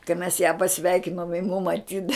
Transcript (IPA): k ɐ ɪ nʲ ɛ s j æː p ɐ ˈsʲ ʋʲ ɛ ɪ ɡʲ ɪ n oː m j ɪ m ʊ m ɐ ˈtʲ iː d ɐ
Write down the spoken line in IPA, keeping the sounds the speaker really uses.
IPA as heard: k ɐ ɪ mʲ ɛ s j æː p ɐ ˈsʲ ʋʲ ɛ ɪ kʲ ɪ n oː m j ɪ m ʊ m ɐ ˈtʲ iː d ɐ